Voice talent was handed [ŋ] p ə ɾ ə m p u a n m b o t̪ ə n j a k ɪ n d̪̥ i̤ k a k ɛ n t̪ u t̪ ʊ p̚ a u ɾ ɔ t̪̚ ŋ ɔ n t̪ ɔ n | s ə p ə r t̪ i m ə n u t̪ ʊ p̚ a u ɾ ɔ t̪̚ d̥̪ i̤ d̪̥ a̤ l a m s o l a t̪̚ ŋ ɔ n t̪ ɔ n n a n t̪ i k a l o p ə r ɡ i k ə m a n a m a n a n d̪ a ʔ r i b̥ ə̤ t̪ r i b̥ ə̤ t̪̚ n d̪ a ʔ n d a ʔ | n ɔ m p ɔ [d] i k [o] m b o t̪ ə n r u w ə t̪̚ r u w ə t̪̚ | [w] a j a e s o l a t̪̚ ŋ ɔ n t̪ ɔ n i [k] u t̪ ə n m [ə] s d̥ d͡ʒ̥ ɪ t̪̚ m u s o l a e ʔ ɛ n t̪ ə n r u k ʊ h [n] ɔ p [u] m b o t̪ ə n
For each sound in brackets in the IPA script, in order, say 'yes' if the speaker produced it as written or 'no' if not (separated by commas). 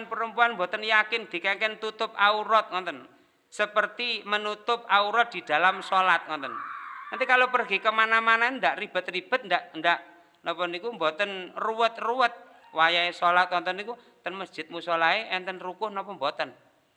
no, no, no, yes, yes, yes, yes, no